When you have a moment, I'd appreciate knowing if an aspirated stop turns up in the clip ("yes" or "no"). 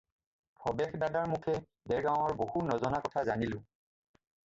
yes